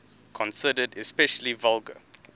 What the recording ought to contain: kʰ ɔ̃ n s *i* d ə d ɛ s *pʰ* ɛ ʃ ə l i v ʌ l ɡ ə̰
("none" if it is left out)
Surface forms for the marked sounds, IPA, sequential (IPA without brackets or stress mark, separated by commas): ɪ, p